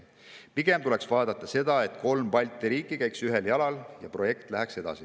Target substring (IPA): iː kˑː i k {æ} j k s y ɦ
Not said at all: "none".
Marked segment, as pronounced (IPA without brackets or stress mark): æ